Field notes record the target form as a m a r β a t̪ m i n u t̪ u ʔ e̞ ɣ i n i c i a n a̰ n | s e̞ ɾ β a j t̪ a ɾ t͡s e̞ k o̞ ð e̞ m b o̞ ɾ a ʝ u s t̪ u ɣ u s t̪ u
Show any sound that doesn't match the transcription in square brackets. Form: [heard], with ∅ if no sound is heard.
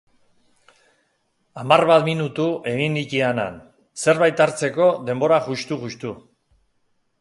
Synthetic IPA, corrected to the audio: a m a r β a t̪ m i n u t̪ u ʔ e̞ ɣ i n i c i a n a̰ n | s e̞ ɾ β a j t̪ a ɾ t͡s e̞ k o̞ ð e̞ m b o̞ ɾ a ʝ u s t̪ u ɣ u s t̪ u